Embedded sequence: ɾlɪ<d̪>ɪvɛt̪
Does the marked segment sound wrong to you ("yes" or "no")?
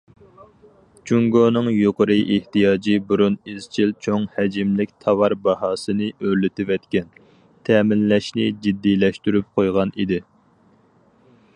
yes